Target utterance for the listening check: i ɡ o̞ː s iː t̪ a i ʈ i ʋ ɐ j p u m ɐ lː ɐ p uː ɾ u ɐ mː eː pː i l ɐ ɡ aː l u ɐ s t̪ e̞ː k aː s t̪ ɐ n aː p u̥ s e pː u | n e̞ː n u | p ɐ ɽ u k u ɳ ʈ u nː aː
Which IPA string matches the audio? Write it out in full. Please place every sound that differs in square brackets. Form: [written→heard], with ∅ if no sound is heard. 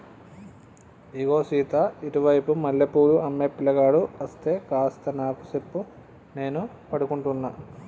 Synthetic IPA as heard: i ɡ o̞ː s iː t̪ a i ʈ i ʋ ɐ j p u m ɐ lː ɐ p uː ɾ u ɐ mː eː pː i l ɐ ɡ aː [l→ɽ] u ɐ s t̪ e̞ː k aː s t̪ ɐ n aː [p→k] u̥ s e pː u | n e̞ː n u | p ɐ ɽ u k u ɳ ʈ u nː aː